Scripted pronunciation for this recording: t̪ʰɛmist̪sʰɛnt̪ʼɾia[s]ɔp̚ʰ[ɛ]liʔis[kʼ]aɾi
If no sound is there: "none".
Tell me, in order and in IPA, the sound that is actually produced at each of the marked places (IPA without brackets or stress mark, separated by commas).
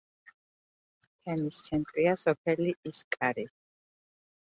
s, ɛ, kʼ